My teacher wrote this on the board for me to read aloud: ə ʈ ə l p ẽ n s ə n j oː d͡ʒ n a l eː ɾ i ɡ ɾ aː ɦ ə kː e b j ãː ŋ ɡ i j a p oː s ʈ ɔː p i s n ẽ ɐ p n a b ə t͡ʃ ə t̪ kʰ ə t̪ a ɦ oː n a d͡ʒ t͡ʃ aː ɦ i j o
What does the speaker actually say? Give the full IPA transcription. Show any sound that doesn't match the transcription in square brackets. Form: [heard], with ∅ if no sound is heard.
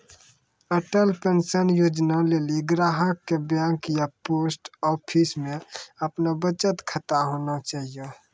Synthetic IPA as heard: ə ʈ ə l p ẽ n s ə n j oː d͡ʒ n a l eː [l] i ɡ ɾ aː ɦ ə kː e b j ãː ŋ [k] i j a p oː s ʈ ɔː [pʰ] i s [m] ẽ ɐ p n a b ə t͡ʃ ə t̪ kʰ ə t̪ a ɦ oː n a [∅] t͡ʃ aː ɦ i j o